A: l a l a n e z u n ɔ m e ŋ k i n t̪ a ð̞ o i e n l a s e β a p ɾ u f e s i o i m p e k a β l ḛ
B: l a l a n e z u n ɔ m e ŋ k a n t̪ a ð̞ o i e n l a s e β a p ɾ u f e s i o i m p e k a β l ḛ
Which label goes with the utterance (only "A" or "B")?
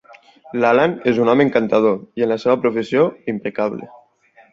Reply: B